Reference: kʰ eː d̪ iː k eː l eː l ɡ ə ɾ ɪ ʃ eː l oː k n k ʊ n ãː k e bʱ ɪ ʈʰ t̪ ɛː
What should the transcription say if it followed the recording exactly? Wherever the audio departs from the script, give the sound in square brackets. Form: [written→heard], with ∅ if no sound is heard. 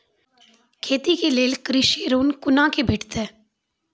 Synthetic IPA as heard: kʰ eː [d̪→t̪] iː k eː l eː l [ɡ→k] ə ɾ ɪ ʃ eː [l→ɾ] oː [k→∅] n k ʊ n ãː k e bʱ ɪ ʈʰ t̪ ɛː